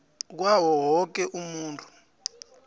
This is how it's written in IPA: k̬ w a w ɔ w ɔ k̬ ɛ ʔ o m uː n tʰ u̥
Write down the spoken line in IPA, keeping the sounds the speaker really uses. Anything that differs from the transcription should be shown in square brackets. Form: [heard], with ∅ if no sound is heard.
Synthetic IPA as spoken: k̬ w a w ɔ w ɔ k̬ ɛ ʔ [u] m uː n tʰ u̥